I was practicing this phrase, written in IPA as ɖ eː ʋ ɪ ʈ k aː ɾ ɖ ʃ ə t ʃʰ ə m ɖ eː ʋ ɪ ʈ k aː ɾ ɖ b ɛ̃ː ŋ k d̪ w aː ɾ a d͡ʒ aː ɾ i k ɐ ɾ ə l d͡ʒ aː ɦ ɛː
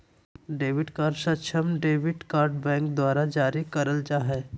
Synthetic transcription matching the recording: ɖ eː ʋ ɪ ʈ k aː ɾ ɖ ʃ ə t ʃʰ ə m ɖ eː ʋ ɪ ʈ k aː ɾ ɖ b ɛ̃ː ŋ k d̪ w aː ɾ a d͡ʒ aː ɾ i k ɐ ɾ ə l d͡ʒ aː ɦ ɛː